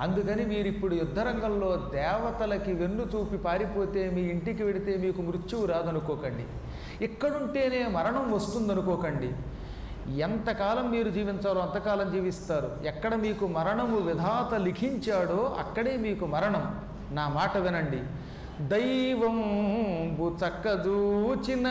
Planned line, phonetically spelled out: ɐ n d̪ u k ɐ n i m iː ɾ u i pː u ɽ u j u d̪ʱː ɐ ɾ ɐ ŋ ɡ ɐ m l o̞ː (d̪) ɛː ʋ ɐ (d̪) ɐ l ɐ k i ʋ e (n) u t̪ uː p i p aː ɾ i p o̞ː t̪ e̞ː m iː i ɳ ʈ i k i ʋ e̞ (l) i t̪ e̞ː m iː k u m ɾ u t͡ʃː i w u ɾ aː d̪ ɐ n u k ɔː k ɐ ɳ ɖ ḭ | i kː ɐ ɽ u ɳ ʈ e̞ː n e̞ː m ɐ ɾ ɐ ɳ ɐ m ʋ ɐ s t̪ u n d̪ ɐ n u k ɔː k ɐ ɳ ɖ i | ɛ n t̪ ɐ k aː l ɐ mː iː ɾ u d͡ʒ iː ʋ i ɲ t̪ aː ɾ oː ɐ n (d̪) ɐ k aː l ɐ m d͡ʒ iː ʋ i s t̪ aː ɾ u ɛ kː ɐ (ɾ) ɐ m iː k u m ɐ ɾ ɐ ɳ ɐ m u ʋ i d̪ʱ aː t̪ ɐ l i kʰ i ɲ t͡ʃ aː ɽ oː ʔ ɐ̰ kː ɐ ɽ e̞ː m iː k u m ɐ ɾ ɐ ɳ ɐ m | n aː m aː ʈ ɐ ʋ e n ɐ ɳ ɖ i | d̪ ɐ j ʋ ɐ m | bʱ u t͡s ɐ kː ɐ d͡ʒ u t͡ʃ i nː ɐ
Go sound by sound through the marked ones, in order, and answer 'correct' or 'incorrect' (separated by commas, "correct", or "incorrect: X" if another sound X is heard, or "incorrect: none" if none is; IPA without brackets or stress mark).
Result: correct, incorrect: t̪, incorrect: nː, incorrect: ɽ, incorrect: t̪, incorrect: ɽ